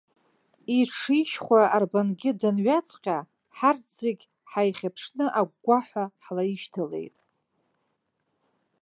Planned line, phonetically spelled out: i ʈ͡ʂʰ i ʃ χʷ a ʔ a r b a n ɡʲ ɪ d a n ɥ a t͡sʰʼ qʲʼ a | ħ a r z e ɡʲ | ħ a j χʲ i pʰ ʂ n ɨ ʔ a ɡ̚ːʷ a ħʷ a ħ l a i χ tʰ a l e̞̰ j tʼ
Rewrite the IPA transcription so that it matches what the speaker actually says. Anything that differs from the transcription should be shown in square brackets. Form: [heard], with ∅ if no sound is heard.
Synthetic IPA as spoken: i ʈ͡ʂʰ i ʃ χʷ a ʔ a r b a n ɡʲ ɪ d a n ɥ a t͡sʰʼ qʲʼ a | ħ a r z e ɡʲ | ħ a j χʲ [a] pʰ ʂ n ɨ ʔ a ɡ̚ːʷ a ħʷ a ħ l a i [ʃ] tʰ a l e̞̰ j tʼ